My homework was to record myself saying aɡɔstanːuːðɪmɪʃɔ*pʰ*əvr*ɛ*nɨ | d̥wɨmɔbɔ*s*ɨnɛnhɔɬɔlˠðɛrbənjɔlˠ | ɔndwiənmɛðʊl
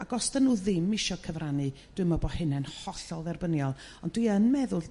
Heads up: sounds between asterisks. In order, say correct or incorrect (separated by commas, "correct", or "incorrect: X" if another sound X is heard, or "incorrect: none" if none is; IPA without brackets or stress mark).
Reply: incorrect: kʰ, incorrect: a, incorrect: h